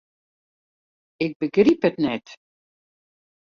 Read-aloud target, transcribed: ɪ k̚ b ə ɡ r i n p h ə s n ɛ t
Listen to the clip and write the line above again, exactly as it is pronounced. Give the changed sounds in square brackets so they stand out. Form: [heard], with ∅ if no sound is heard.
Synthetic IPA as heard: ɪ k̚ b ə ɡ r i [∅] p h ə [t] n ɛ t